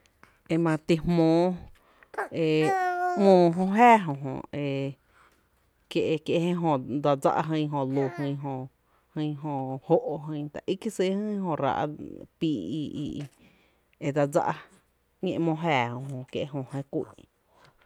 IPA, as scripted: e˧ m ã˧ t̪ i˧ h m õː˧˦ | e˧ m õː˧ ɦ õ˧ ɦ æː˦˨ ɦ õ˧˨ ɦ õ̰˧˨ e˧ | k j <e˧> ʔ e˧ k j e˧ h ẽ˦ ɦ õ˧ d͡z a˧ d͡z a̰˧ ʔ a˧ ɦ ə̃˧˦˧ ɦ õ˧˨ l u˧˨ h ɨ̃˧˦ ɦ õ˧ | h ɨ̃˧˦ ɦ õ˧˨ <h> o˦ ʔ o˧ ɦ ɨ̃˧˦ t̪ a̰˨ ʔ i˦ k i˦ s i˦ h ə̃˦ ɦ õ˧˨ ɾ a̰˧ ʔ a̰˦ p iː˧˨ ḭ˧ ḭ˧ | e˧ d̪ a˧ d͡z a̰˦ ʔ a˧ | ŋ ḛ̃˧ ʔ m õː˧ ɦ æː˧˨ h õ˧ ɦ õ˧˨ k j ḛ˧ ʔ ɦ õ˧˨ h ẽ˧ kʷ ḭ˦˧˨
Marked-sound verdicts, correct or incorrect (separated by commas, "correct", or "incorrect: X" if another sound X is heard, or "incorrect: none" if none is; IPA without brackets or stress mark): correct, correct